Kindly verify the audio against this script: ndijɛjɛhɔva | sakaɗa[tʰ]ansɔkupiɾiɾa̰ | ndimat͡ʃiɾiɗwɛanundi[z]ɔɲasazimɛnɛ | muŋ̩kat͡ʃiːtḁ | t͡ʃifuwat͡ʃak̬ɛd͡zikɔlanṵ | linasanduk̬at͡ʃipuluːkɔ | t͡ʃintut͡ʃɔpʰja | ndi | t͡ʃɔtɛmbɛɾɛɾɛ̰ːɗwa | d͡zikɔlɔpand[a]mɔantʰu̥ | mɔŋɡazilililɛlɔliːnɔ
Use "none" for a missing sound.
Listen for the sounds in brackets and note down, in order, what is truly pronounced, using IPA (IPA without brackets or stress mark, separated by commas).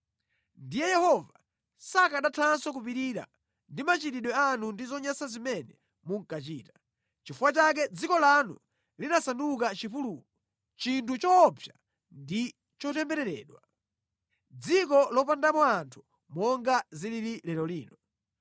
tʰ, z, a